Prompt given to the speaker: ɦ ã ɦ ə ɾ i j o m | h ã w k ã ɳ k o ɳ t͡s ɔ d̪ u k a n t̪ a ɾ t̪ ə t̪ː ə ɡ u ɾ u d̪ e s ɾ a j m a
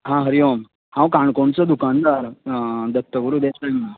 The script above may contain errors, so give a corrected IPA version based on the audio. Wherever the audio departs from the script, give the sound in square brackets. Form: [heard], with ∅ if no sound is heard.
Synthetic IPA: ɦ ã ɦ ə ɾ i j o m | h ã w k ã ɳ k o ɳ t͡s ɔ d̪ u k a n [d̪] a ɾ [d̪] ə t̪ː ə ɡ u ɾ u d̪ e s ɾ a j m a

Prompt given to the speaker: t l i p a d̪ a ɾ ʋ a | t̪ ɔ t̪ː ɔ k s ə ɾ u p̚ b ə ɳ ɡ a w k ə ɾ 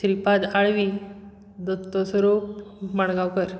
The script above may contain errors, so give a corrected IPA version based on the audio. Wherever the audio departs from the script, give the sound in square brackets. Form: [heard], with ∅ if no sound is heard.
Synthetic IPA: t [ɾ] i p a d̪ a [ɭ] ʋ [i] | [d̪] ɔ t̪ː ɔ [∅] s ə ɾ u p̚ [m] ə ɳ ɡ a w k ə ɾ

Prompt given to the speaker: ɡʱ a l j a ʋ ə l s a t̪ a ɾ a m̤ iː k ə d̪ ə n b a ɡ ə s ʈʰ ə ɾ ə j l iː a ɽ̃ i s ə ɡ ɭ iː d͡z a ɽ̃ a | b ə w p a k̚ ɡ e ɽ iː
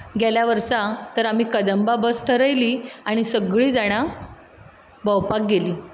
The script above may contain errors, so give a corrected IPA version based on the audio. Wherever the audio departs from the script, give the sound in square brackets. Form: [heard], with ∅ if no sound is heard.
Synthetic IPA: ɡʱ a l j a ʋ ə [ɾ] s a t̪ [ə] ɾ a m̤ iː k ə d̪ ə [m] b a [b] ə s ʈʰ ə ɾ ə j l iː a ɽ̃ i s ə ɡ ɭ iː d͡z a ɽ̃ a | b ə w p a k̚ ɡ e [l] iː

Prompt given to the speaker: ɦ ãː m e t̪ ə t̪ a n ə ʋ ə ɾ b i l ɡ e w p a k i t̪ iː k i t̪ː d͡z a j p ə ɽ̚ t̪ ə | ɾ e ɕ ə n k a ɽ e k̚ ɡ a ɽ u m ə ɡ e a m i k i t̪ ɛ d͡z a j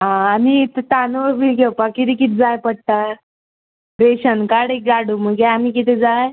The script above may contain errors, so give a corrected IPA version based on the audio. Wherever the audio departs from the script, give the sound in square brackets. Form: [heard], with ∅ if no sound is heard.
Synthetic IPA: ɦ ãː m [i] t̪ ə t̪ a n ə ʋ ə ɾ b i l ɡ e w p a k i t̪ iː k i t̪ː d͡z a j p ə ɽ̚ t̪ [a] | ɾ e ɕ ə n k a ɽ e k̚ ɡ a ɽ u m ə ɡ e a m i k i t̪ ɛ d͡z a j

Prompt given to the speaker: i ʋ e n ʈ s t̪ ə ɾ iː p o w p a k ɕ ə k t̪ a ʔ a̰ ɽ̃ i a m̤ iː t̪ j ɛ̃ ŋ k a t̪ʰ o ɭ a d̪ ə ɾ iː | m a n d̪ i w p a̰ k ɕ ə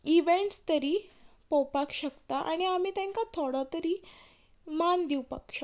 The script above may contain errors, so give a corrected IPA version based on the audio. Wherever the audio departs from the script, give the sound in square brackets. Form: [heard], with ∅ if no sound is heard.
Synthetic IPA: i ʋ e [ɳ] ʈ s t̪ ə ɾ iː p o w p a k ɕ ə k t̪ a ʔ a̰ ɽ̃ i a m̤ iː t̪ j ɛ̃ ŋ k a t̪ʰ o [ɽ] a [t̪] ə ɾ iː | m a n d̪ i w p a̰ k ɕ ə

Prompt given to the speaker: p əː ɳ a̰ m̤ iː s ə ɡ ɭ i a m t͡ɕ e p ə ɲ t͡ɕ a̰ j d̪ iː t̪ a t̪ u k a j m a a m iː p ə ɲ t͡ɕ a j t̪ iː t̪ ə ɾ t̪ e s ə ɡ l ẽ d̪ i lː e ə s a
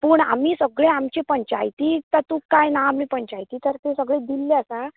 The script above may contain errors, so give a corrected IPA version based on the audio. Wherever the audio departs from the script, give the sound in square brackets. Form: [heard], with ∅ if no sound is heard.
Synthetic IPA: p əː ɳ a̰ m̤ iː s ə ɡ ɭ [e] a m t͡ɕ e p ə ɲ t͡ɕ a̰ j [t̪] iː t̪ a t̪ u k a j [n] a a m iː p ə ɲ t͡ɕ a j t̪ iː t̪ ə ɾ t̪ e s ə ɡ [ɭ] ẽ d̪ i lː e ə s a

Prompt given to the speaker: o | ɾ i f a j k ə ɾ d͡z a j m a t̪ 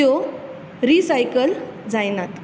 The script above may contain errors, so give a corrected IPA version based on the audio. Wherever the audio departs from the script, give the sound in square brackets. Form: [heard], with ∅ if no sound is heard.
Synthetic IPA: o | ɾ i [s] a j k ə [l] d͡z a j [n] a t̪

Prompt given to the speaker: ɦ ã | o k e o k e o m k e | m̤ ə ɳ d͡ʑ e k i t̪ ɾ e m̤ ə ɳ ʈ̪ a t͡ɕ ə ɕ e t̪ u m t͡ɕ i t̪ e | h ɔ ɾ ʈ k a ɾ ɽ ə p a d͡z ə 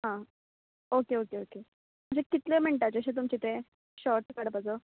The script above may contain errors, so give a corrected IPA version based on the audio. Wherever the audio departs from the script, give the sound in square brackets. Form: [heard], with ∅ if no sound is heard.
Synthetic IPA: ɦ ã | o k e o k e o [∅] k e | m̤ ə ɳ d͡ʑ e k i t̪ [l] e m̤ ə ɳ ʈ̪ a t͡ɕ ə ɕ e t̪ u m t͡ɕ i t̪ e | [ɕ] ɔ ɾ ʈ k a [∅] ɽ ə p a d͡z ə

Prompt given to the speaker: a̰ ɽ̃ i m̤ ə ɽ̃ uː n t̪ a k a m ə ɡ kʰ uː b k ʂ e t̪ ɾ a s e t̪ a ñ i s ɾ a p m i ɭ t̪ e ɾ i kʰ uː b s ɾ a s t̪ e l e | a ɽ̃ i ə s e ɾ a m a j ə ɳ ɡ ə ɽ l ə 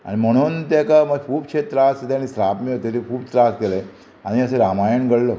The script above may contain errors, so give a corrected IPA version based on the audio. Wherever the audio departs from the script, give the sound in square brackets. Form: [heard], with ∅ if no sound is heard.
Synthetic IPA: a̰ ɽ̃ i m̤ ə ɽ̃ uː n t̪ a k a m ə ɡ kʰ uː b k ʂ e t̪ ɾ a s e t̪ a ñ i s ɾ a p m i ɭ t̪ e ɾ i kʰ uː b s ɾ a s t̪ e l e | a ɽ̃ i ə s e ɾ a m a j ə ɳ ɡ ə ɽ l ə

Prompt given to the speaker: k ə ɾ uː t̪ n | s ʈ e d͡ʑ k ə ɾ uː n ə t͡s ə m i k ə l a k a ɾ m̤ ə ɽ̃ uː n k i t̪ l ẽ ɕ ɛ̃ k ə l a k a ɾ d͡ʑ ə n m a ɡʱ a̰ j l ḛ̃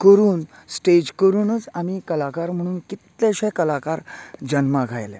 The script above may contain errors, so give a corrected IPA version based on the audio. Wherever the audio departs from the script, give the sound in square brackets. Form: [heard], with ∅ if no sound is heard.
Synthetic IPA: k ə ɾ uː [∅] n | s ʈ e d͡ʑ k ə ɾ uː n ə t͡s [a] m i k ə l a k a ɾ m̤ ə ɽ̃ uː n k i t̪ l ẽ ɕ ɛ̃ k ə l a k a ɾ d͡ʑ ə n m a ɡʱ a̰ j l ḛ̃

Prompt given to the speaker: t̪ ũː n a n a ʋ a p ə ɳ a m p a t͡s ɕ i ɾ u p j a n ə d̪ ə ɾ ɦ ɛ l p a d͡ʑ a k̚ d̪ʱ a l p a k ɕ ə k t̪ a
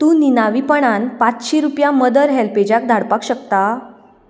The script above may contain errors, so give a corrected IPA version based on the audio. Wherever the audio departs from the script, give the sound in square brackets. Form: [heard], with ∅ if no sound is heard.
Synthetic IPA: t̪ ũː n [i] n a ʋ [i] p ə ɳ a [n] p a t͡s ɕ i ɾ u p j a [m] ə d̪ ə ɾ ɦ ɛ l p [e] d͡ʑ a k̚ d̪ʱ a [ɽ] p a k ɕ ə k t̪ a

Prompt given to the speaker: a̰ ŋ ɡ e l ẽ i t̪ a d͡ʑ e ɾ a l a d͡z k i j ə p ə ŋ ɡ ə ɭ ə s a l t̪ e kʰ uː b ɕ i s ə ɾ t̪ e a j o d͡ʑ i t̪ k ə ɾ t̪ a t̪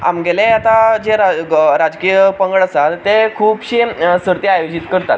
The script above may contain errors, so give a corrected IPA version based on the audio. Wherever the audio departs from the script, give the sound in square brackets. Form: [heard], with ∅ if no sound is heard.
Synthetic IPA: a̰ [m] ɡ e l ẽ [a] t̪ a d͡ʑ e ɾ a [ɾ] a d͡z k i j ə p ə ŋ ɡ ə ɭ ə s a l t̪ e kʰ uː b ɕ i s ə ɾ t̪ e a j o d͡ʑ i t̪ k ə ɾ t̪ a t̪

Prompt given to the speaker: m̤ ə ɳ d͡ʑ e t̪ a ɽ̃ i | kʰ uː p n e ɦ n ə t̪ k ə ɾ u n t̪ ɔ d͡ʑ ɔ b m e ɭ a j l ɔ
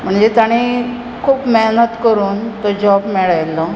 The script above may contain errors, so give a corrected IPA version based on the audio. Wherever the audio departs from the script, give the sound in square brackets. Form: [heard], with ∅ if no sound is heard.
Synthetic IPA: m̤ ə ɳ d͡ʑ e t̪ a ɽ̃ i | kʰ uː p [m] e ɦ n ə t̪ k ə ɾ [uː] n t̪ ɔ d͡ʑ ɔ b m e ɭ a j l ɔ

